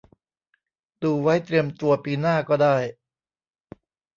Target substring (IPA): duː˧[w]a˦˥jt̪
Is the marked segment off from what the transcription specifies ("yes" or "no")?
no